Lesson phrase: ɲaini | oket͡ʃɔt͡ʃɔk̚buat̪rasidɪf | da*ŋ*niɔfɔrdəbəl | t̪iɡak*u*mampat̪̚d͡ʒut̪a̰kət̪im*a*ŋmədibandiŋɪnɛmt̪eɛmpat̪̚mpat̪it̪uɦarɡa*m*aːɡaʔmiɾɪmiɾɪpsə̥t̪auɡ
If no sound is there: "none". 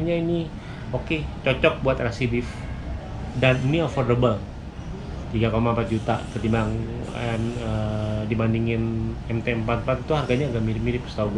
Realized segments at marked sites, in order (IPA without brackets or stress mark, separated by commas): n, o, a, ɲ